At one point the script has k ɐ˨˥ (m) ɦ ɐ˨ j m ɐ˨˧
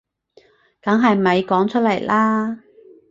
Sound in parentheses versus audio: incorrect: ŋ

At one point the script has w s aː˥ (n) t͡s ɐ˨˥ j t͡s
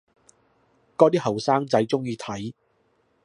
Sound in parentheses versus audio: incorrect: ŋ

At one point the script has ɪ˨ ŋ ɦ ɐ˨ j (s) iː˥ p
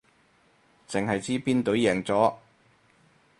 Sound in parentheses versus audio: incorrect: t͡s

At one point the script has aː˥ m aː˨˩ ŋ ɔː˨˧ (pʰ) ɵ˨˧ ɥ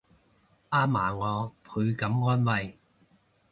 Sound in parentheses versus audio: correct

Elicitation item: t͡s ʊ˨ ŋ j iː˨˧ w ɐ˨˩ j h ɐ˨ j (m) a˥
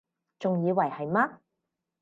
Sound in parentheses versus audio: correct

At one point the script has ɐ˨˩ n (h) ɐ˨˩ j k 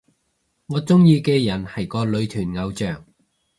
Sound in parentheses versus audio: correct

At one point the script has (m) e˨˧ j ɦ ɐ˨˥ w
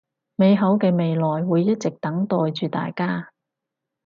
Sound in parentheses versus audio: correct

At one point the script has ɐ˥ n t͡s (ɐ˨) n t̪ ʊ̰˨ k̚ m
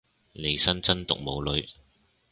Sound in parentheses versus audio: incorrect: ɐ˥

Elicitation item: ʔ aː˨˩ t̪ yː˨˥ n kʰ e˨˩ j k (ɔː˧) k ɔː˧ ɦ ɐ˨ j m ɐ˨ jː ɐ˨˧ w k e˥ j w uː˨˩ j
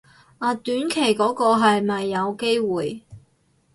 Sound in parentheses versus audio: incorrect: ɔː˨˥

